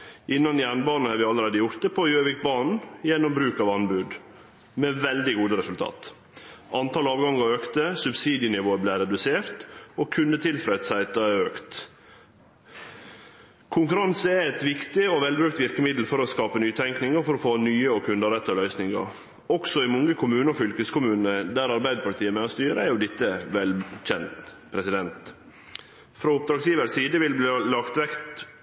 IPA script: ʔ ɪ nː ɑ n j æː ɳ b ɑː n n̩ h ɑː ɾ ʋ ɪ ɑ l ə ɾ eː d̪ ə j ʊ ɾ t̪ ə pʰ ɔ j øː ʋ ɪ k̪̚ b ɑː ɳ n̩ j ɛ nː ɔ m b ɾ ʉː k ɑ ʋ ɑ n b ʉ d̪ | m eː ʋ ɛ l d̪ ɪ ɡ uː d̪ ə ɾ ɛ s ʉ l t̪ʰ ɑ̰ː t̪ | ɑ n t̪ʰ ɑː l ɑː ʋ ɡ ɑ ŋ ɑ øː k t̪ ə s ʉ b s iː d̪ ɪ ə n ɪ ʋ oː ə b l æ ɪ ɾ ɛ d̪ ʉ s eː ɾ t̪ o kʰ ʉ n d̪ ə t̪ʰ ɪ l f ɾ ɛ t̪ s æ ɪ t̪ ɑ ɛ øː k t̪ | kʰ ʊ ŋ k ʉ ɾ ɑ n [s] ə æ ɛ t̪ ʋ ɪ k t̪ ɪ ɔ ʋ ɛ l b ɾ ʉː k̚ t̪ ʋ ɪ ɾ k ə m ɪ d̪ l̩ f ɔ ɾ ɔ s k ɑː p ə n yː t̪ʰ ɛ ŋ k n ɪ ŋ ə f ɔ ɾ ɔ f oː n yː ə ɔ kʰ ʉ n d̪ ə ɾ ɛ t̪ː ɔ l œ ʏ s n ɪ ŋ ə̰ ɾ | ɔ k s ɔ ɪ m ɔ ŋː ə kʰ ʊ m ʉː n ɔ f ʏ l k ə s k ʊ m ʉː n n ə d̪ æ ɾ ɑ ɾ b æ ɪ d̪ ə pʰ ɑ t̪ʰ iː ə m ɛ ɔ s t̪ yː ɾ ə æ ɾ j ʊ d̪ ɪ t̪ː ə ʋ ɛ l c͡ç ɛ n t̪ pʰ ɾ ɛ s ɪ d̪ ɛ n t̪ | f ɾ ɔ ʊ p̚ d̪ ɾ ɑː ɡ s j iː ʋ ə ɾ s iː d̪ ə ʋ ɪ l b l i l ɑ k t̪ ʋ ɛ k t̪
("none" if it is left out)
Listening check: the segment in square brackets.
s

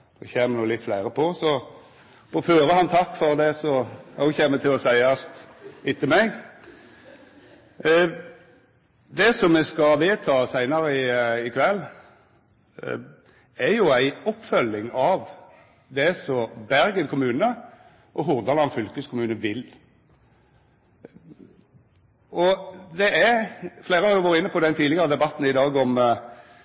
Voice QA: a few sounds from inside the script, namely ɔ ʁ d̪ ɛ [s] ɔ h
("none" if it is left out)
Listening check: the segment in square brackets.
s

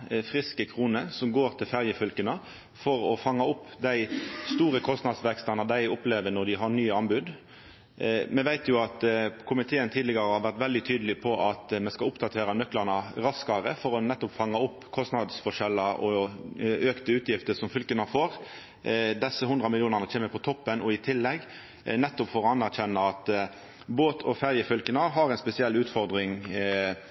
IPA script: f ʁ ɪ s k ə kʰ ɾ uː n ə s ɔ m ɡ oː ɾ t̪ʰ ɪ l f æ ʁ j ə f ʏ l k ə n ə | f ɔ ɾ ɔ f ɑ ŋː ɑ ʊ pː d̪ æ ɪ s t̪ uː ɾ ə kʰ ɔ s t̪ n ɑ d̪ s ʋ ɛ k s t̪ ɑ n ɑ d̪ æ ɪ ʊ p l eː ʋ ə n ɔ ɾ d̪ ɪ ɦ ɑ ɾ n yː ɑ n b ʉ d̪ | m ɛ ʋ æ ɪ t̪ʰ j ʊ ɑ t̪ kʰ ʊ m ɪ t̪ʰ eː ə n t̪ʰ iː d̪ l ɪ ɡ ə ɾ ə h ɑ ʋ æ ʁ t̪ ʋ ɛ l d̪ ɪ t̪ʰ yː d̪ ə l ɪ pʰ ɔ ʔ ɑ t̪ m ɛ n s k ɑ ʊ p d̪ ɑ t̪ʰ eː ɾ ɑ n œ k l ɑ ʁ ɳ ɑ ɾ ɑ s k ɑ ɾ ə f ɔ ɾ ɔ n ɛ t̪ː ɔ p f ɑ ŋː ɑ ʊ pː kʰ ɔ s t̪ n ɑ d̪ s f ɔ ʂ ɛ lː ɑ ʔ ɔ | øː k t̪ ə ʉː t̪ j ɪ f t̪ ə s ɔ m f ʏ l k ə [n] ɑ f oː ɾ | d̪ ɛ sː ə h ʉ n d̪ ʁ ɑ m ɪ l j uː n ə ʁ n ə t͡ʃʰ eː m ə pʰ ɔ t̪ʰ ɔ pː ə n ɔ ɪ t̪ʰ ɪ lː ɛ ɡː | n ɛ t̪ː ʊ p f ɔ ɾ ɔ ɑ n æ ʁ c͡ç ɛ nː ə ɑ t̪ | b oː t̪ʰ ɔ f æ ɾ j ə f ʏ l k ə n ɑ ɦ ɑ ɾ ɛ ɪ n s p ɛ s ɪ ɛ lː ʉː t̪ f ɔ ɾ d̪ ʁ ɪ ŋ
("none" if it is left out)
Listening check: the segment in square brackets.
n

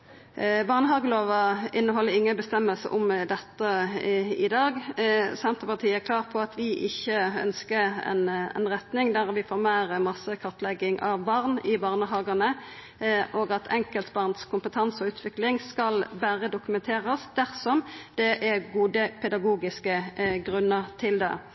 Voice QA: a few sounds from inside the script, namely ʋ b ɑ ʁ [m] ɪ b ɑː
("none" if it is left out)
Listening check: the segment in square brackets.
n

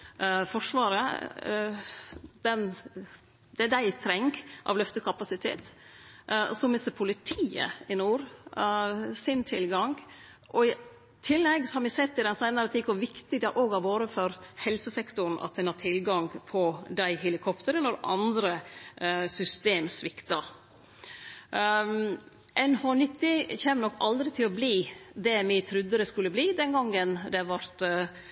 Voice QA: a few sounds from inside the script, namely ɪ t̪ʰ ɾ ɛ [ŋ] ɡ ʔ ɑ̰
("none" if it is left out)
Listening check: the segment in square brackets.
ŋ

